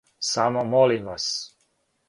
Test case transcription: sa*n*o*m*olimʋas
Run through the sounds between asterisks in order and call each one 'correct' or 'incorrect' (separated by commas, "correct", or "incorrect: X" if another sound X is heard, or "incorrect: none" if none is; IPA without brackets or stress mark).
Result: incorrect: m, correct